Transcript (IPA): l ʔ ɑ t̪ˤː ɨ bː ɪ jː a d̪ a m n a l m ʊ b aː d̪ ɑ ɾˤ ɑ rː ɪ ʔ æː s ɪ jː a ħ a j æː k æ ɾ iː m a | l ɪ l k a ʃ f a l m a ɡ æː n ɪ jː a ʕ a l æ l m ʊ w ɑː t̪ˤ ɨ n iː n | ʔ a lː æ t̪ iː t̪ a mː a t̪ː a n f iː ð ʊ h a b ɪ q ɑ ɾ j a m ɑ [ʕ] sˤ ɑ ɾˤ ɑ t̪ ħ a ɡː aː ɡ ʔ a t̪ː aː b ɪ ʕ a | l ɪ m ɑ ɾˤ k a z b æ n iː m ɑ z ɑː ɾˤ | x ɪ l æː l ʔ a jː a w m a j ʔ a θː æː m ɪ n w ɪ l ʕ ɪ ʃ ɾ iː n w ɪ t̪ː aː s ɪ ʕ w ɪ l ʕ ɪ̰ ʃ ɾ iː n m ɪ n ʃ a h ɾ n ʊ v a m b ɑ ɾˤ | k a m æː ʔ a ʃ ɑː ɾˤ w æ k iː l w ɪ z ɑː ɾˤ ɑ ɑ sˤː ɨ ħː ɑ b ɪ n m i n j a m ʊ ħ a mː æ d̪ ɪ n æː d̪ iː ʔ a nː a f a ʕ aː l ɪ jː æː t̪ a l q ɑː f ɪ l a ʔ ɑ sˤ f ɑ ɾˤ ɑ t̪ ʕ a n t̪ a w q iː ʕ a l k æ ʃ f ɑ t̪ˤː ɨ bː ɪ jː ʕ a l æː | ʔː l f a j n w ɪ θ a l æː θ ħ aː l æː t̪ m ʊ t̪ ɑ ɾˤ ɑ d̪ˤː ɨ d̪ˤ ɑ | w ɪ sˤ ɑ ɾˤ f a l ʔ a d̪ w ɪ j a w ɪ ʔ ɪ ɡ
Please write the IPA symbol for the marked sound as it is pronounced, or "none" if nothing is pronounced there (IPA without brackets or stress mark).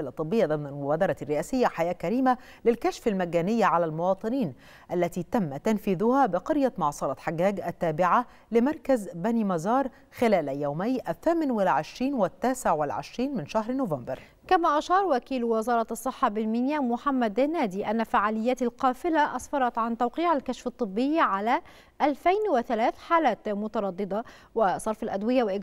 ʕ